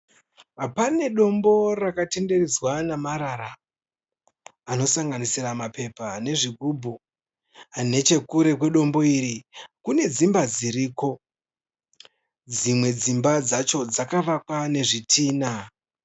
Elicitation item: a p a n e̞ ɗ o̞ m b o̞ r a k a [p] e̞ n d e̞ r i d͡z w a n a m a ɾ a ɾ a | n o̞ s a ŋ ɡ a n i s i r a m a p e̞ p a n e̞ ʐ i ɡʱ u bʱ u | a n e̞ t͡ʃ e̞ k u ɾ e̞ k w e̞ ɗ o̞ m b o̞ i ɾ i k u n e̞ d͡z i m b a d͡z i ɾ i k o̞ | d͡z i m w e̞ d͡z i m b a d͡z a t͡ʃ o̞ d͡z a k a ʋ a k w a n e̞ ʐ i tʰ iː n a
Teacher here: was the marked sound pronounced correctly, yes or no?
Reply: no